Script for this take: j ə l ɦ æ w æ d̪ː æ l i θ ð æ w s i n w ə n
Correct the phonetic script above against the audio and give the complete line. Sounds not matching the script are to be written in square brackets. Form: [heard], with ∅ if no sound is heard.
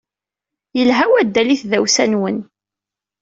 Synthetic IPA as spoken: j ə l ɦ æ w æ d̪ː æ l i θ ð æ w s [æ] n w ə n